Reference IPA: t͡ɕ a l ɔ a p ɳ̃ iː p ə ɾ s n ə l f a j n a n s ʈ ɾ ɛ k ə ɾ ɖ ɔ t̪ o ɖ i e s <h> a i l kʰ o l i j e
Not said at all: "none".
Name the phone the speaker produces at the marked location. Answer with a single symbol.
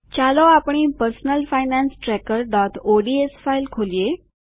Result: f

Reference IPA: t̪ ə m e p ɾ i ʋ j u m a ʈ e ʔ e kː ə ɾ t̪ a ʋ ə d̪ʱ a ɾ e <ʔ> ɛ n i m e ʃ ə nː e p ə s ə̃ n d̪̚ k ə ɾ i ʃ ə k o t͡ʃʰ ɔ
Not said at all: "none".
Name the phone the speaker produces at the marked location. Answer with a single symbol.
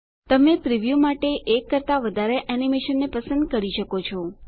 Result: ʔ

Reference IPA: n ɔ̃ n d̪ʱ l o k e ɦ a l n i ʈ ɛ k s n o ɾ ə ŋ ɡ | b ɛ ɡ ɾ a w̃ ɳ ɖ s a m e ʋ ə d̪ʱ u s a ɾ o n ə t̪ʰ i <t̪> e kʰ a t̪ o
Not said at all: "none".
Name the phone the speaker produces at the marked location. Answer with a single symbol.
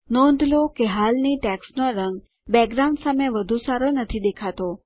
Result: d̪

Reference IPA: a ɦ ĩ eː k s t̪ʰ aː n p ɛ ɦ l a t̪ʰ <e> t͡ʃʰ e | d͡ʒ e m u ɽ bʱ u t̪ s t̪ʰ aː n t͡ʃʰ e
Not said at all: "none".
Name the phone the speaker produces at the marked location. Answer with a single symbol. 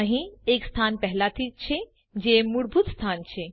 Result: i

